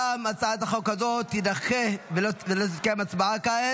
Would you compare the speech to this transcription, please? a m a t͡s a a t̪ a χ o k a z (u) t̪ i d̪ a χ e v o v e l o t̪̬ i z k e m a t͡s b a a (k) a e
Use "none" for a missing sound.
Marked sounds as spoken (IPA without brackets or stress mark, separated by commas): o, k